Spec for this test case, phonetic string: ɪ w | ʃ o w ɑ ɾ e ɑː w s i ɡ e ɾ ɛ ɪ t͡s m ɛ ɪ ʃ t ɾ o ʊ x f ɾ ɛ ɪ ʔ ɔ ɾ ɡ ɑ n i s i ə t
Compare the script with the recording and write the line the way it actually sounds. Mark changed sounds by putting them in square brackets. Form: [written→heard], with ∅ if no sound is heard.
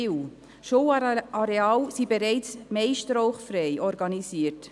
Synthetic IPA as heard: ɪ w | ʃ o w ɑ ɾ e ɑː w s i [ɡ→b] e ɾ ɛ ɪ t͡s m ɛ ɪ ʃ t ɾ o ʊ [x→χ] f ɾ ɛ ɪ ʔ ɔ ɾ ɡ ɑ n i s i ə t